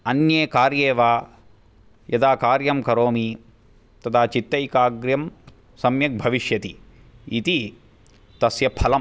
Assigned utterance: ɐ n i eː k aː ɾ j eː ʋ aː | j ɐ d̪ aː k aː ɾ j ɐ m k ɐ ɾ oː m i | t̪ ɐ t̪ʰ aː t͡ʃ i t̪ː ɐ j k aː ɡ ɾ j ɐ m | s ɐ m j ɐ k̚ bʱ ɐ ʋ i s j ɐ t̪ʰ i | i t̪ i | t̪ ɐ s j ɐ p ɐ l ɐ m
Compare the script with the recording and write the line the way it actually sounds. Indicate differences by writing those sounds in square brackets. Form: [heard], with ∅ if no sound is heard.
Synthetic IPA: ɐ n [j] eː k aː ɾ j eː ʋ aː | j ɐ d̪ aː k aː ɾ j ɐ m k ɐ ɾ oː m i | t̪ ɐ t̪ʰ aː t͡ʃ i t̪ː ɐ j k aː ɡ ɾ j ɐ m | s ɐ m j ɐ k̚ bʱ ɐ ʋ i [ʃ] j ɐ [t̪] i | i t̪ i | t̪ ɐ s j ɐ [pʰ] ɐ l ɐ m